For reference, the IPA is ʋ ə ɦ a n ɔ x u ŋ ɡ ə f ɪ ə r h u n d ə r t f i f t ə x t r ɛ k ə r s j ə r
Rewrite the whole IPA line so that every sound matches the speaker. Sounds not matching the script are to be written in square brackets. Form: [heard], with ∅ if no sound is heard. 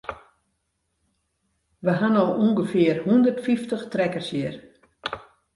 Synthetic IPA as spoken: ʋ ə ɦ a n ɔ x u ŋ ɡ ə f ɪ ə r h u n d ə r t f i f t ə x t r ɛ k ə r s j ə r